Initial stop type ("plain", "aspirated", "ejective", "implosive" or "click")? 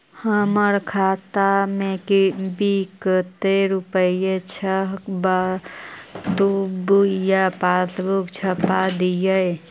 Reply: aspirated